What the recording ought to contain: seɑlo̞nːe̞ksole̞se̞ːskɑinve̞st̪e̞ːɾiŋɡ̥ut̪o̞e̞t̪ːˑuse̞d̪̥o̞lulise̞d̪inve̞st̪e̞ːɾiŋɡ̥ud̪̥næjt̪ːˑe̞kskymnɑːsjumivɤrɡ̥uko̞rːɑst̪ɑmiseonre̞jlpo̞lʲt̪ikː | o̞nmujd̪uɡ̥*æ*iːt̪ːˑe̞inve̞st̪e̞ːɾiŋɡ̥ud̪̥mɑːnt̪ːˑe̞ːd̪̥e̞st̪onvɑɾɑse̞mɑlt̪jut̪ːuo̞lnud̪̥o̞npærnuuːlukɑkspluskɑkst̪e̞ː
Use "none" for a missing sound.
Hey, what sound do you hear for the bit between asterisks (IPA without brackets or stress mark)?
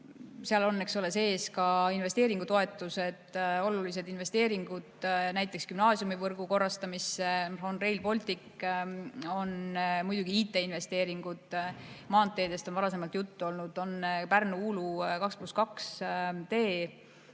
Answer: i